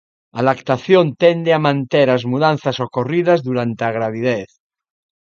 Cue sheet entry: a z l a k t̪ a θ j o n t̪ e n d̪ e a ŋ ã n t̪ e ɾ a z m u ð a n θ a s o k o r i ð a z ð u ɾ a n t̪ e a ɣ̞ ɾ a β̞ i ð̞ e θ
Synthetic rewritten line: a l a k t̪ a θ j o n t̪ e n d̪ e a m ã n t̪ e ɾ a z m u ð a n θ a s o k o r i ð a z ð u ɾ a n t̪ e a ɣ̞ ɾ a β̞ i ð̞ e θ